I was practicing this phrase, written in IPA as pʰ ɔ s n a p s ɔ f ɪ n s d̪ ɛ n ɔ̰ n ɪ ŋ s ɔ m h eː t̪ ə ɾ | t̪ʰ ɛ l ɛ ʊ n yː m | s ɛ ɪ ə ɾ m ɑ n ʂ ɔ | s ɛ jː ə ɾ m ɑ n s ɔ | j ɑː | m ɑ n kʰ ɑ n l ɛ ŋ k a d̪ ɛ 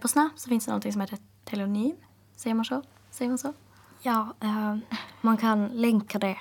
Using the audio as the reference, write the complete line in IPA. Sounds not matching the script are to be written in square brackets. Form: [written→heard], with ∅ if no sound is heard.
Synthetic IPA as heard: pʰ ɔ s n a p s ɔ f ɪ n s d̪ ɛ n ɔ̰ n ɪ ŋ s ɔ m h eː t̪ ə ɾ | t̪ʰ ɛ l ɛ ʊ n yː m | s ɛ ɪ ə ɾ m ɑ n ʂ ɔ | s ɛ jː ə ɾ m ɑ n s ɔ | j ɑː | m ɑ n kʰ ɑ n l ɛ ŋ k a d̪ ɛ